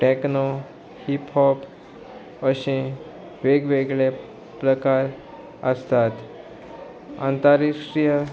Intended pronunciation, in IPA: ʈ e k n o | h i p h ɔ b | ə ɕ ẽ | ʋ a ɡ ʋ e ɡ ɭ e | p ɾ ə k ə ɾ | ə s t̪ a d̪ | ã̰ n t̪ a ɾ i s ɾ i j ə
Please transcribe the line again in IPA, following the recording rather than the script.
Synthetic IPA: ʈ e k n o | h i p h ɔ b | ə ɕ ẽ | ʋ e ɡ ʋ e ɡ ɭ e | p ɾ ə k a ɾ | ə s t̪ a t̪ | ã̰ n t̪ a ɾ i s ɾ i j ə

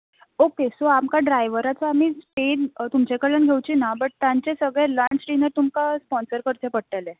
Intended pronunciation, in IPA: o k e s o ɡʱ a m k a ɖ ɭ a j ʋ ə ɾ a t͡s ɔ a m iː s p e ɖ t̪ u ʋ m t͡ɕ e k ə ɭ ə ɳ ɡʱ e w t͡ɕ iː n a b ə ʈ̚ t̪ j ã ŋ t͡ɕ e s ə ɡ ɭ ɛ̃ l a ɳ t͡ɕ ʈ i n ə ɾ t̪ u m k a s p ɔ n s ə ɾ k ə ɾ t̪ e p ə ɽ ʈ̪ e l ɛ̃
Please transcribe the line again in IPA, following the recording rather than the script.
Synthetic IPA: o k e s o a m k a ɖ ɾ a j ʋ ə ɾ a t͡s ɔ a m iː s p e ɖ t̪ u m t͡ɕ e k ə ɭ ə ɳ ɡʱ e w t͡ɕ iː n a b ə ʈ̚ t̪ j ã ɲ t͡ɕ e s ə ɡ ɭ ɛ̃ l a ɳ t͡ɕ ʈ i n ə ɾ t̪ u m k a s p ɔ n s ə ɾ k ə ɾ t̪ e p ə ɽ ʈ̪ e l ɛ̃

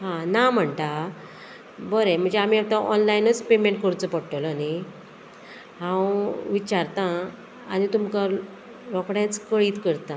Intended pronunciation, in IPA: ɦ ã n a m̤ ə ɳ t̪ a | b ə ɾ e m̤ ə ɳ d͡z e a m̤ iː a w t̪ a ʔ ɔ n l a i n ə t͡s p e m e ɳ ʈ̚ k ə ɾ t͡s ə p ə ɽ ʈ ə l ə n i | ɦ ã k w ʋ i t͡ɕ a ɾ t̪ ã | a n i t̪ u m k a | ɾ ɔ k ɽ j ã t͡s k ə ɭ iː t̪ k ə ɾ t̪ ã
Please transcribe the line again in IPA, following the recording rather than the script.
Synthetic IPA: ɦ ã n a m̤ ə ɳ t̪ a | b ə ɾ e m̤ ə ɳ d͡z e a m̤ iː a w t̪ a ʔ ɔ n l a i n ə t͡s p e m e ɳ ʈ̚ k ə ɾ t͡s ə p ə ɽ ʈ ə l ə n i | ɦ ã w ʋ i t͡ɕ a ɾ t̪ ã | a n i t̪ u m k a | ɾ ɔ k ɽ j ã t͡s k ə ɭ iː t̪ k ə ɾ t̪ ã

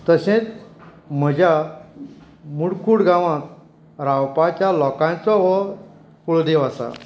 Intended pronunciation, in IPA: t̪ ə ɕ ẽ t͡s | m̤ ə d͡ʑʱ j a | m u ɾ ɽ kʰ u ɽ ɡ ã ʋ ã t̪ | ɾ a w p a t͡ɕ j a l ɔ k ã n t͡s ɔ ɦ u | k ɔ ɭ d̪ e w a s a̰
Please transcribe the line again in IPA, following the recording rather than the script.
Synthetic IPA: t̪ ə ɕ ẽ t͡s | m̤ ə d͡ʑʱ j a | m u ɽ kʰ u ɽ ɡ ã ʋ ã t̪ | ɾ a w p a t͡ɕ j a l ɔ k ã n t͡s ɔ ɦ ɔ | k u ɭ d̪ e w a s a̰

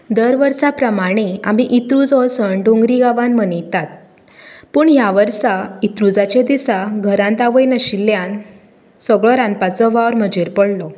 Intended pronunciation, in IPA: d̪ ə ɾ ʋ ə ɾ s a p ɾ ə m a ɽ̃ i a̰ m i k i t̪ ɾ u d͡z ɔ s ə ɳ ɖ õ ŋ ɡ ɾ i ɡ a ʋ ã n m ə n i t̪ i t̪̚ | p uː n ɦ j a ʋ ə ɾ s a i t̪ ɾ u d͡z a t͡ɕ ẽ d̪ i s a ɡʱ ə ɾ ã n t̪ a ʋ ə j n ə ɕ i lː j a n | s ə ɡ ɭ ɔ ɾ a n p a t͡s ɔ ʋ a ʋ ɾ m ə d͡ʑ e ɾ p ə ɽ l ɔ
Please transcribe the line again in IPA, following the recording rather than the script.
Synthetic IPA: d̪ ə ɾ ʋ ə ɾ s a p ɾ ə m a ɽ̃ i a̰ m i ʔ i t̪ ɾ u d͡z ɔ s ə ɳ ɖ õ ŋ ɡ ɾ i ɡ a ʋ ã n m ə n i t̪ a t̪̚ | p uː ɳ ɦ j a ʋ ə ɾ s a i t̪ ɾ u d͡z a t͡ɕ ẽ d̪ i s a ɡʱ ə ɾ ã n t̪ a ʋ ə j n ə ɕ i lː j a n | s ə ɡ ɭ ɔ ɾ a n p a t͡s ɔ ʋ a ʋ ɾ m ə d͡ʑ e ɾ p ə ɽ l ɔ

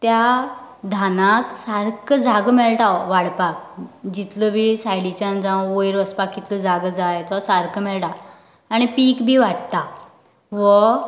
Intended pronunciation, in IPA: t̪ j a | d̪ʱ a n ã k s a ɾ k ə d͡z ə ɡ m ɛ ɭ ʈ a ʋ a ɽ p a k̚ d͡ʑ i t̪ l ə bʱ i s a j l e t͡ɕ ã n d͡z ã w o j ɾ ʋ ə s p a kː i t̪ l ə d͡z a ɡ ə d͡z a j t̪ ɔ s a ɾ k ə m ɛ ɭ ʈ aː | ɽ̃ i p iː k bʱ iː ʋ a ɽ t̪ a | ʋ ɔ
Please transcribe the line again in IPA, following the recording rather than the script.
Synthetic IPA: t̪ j a | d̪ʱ a n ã k s a ɾ k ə d͡z a ɡ m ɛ ɭ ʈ a ʋ a ɽ p a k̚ d͡ʑ i t̪ l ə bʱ i s a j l i t͡ɕ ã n d͡z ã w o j ɾ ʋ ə s p a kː i t̪ l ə d͡z a ɡ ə d͡z a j t̪ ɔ s a ɾ k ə m ɛ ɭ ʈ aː | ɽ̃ i p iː k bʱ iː ʋ a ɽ t̪ a | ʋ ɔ

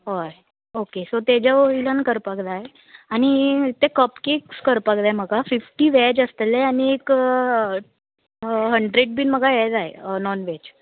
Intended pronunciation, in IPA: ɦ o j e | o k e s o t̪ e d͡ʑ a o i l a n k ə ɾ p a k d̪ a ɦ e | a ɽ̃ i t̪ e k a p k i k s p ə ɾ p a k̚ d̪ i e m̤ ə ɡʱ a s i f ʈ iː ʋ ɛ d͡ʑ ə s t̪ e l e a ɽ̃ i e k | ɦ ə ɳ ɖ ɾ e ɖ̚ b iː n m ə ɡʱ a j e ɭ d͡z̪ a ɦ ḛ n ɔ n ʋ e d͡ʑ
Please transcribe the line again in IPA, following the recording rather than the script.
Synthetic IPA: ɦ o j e | o k e s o t̪ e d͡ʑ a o i l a n k ə ɾ p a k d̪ a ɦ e | a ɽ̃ i t̪ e k ə p k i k s k ə ɾ p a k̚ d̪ a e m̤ ə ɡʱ a f i f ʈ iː ʋ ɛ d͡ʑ ə s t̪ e l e a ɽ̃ i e k | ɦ ə ɳ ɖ ɾ e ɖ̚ b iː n m ə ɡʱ a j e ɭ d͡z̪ a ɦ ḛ n ɔ n ʋ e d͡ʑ

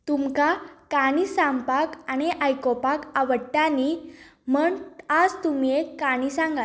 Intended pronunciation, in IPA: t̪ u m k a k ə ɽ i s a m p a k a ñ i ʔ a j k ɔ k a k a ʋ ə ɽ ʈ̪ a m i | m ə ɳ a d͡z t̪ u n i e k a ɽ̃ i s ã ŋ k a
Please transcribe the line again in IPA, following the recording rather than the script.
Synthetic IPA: t̪ u m k a k a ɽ i s a m p a k a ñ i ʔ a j k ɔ p a k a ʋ ə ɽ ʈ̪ a n i | m ə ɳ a d͡z t̪ u m i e k a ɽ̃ i s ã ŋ ɡ a

